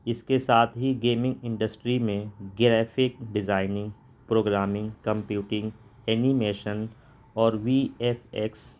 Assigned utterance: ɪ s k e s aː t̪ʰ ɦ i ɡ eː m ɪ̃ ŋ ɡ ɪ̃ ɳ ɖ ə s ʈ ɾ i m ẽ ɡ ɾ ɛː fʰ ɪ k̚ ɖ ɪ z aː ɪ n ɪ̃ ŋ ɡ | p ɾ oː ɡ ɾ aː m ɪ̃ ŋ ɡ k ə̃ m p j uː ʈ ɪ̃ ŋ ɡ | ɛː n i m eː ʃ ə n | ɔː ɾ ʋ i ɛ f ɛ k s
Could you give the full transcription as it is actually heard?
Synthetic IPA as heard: ɪ s k e s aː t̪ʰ ɦ i ɡ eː m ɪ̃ ŋ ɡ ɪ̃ ɳ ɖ ə s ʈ ɾ i m ẽ ɡ ɾ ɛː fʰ ɪ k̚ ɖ ɪ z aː ɪ n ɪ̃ ŋ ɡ | p ɾ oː ɡ ɾ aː m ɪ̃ ŋ ɡ k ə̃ m p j uː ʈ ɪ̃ ŋ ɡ | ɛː n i m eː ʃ ə n | ɔː ɾ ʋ i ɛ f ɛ k s